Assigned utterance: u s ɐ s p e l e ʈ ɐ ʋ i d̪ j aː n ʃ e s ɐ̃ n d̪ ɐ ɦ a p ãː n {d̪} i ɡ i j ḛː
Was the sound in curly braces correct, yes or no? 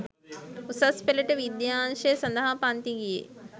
no